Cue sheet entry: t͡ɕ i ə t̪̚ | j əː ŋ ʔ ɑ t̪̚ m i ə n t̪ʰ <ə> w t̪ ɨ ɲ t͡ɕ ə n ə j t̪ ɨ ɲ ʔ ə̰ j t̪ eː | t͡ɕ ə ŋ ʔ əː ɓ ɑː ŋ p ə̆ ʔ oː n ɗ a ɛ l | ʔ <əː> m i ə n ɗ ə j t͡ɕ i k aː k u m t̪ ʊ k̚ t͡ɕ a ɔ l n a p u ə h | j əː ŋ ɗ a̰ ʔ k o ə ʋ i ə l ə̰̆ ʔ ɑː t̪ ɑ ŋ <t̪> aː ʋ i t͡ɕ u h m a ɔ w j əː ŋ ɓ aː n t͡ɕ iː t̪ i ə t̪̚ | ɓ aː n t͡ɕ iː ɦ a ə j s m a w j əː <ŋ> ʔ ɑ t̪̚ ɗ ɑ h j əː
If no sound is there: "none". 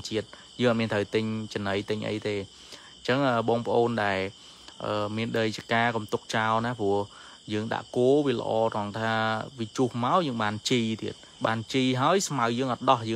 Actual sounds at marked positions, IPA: ə, əː, t̪ʰ, ŋ

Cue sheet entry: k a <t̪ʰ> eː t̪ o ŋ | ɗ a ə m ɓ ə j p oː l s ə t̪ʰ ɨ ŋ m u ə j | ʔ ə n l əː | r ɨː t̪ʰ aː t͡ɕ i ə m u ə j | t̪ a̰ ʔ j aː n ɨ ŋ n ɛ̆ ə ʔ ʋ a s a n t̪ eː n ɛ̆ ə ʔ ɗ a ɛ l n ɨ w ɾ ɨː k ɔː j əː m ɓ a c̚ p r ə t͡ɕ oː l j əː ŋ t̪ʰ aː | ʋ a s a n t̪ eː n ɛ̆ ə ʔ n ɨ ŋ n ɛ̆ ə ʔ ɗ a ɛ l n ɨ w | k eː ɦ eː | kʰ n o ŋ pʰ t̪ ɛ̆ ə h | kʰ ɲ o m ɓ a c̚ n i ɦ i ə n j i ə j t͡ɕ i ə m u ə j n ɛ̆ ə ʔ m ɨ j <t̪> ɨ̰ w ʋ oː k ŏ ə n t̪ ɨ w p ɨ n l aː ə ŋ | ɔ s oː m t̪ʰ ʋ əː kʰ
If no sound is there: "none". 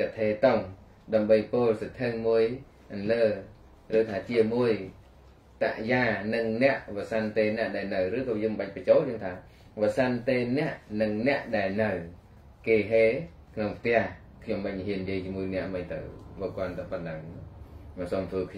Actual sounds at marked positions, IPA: t̪ʰ, t̪

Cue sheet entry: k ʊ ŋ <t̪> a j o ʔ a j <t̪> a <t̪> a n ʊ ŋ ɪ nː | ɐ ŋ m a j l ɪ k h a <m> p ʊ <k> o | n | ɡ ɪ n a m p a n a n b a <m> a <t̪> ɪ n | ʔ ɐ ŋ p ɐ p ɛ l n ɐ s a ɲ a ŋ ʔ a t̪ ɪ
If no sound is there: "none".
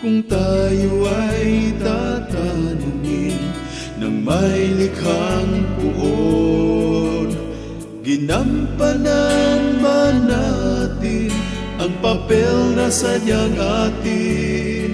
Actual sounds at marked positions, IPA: t̪, t̪, t̪, ŋ, ʔ, n, t̪

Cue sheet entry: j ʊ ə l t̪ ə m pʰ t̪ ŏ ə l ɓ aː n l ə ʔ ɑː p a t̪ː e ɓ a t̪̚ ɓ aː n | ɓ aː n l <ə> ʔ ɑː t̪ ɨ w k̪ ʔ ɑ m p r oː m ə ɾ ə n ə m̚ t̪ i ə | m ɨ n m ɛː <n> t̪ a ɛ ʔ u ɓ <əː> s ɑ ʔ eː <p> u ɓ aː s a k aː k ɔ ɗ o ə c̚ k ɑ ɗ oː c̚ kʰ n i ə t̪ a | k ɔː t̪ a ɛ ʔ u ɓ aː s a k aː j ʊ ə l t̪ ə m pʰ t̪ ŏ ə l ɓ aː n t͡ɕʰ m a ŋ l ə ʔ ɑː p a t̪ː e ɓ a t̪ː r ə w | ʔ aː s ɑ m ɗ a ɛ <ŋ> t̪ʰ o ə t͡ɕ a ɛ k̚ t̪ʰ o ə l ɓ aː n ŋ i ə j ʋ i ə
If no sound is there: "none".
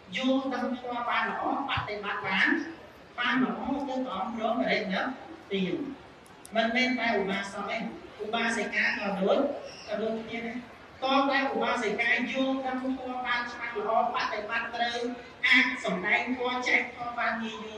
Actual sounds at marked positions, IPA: ə, n, aː, ʔ, ŋ

